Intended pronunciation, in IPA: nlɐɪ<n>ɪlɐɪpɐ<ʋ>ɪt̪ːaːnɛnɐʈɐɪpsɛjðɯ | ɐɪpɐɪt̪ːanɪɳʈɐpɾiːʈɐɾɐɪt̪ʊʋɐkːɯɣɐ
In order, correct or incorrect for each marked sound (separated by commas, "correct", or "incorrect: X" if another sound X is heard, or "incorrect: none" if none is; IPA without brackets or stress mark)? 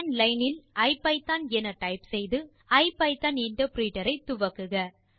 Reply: correct, incorrect: none